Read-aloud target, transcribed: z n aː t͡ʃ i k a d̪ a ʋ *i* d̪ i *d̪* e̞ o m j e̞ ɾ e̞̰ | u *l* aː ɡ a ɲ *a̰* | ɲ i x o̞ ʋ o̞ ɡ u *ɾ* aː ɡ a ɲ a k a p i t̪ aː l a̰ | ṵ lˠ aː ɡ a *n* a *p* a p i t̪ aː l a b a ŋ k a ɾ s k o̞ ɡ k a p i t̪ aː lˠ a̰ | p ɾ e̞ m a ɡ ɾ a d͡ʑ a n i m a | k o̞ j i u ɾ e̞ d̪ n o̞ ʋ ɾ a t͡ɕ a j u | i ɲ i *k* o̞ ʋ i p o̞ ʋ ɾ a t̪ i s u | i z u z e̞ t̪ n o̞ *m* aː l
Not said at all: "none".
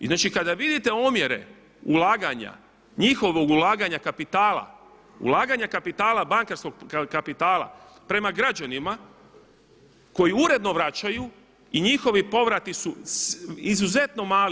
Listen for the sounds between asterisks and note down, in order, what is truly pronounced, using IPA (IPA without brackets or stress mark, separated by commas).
i, t̪, l, a̰, l, ɲ, k, x, m